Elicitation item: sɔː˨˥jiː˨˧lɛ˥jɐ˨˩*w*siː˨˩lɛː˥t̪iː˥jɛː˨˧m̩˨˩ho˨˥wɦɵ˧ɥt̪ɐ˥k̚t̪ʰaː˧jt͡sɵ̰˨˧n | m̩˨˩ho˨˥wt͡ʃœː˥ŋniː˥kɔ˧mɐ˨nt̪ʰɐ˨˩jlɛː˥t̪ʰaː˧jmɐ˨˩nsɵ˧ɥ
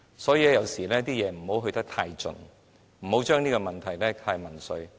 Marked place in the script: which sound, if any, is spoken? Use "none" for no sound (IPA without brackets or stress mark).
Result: w